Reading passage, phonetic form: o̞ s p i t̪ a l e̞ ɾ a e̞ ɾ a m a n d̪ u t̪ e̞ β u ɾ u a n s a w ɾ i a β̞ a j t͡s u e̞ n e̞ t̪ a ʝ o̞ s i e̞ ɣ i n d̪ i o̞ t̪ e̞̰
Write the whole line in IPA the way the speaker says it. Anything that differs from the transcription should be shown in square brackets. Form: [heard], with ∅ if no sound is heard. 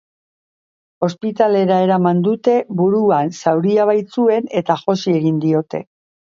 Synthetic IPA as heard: o̞ s p i t̪ a l e̞ ɾ a e̞ ɾ a m a n d̪ u t̪ e̞ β u ɾ u a n s a w ɾ i a β̞ a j t͡s u e̞ n e̞ t̪ a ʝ o̞ s i e̞ ɣ i n d̪ i o̞ t̪ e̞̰